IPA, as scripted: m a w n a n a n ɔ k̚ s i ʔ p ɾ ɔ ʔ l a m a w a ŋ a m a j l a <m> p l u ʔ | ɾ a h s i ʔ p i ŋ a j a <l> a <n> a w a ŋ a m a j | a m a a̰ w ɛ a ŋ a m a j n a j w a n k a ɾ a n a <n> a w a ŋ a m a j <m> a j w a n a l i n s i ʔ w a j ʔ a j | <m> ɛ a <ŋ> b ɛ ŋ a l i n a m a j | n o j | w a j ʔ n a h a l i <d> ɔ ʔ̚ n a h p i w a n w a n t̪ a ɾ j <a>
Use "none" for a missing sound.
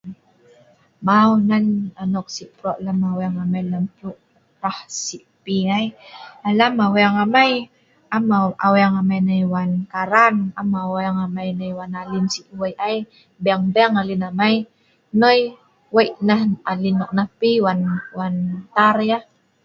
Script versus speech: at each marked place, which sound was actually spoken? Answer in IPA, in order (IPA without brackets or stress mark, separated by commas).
m, l, m, m, n, b, ŋ, n, a